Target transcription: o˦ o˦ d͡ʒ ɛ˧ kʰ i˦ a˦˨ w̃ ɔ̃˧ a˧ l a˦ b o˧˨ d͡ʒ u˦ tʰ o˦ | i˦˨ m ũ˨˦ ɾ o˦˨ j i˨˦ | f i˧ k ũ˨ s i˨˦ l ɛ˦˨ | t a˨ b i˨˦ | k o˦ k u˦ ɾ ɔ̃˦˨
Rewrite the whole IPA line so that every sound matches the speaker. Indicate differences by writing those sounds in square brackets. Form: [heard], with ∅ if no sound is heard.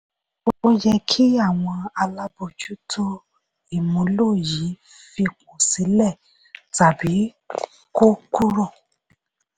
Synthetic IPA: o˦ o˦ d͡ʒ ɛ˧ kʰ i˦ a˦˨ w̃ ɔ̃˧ a˧ l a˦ b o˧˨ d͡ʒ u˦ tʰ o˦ | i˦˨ m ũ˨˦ [l] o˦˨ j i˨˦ | f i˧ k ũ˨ s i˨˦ l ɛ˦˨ | t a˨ b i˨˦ | k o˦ k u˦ ɾ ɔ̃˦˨